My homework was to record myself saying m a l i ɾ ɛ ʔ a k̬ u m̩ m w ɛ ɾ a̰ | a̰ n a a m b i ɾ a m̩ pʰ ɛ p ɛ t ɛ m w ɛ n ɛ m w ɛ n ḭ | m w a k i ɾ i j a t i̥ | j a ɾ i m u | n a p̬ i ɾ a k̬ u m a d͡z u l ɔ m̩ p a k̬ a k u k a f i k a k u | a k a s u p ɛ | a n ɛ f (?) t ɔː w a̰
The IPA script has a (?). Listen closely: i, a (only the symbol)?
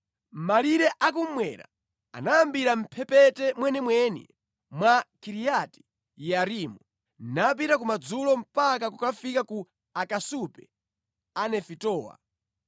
i